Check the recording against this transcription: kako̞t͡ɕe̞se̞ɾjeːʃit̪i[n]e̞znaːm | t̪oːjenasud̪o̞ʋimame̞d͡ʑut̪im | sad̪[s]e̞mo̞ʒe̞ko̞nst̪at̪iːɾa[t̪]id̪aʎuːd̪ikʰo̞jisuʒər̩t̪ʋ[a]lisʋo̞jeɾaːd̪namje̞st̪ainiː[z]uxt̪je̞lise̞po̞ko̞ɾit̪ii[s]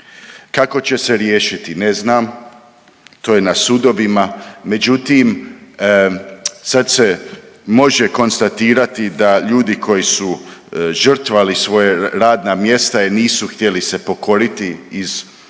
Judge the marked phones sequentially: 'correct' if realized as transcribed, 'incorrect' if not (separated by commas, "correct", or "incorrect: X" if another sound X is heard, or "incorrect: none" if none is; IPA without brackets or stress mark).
correct, correct, correct, correct, incorrect: s, incorrect: z